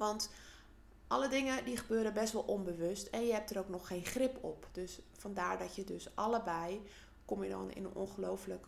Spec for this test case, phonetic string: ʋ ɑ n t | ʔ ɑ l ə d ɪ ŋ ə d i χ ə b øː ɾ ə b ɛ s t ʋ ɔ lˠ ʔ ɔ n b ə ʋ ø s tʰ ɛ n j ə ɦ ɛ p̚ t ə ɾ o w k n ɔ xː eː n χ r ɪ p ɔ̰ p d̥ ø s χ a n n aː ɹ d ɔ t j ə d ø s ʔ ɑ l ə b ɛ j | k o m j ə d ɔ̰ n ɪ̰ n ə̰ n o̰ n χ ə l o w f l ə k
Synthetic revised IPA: ʋ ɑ n t | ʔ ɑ l ə d ɪ ŋ ə d i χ ə b øː ɾ ə b ɛ s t ʋ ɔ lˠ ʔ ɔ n b ə ʋ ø s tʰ ɛ n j ə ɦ ɛ p̚ t ə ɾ o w k n ɔ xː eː n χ r ɪ p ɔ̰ p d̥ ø s f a n d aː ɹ d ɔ t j ə d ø s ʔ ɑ l ə b ɛ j | k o m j ə d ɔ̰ n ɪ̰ n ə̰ n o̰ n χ ə l o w f l ə k